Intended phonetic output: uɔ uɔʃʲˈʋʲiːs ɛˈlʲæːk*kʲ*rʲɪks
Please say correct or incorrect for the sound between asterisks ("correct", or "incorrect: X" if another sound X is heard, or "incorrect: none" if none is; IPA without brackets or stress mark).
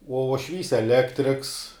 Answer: incorrect: tʲ